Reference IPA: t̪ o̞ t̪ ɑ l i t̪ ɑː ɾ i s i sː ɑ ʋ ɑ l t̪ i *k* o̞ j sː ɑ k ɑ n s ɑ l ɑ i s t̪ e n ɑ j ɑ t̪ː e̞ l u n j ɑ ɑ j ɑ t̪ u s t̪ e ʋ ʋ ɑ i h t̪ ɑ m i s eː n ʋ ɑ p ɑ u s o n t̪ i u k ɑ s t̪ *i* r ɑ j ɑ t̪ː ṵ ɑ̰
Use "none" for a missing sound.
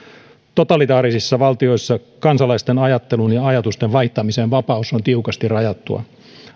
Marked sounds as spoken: none, i

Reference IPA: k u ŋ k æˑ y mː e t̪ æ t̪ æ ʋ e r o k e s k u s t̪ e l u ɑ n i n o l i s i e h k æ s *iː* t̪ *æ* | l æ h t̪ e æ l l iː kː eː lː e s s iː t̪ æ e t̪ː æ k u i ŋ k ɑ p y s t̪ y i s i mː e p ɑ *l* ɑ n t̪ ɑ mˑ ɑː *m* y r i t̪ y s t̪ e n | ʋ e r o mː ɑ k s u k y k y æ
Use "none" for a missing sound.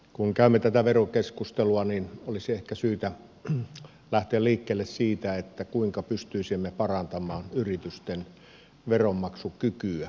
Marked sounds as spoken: yː, æ, r, n

